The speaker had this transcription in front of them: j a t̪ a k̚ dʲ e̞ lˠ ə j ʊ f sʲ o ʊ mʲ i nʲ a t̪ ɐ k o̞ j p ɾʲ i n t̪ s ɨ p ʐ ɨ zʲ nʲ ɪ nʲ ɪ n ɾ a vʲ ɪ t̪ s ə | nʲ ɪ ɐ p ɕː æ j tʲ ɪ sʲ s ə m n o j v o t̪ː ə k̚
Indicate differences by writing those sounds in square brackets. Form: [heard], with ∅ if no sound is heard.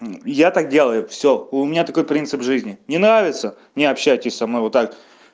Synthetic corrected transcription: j a t̪ a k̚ dʲ e̞ lˠ ə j ʊ f sʲ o ʊ mʲ [ɪ] nʲ a t̪ ɐ k o̞ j p ɾʲ i n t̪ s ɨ p ʐ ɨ zʲ nʲ ɪ nʲ ɪ n ɾ a vʲ ɪ t̪ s ə | nʲ ɪ ɐ p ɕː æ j tʲ ɪ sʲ s [ɐ] m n o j v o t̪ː [a] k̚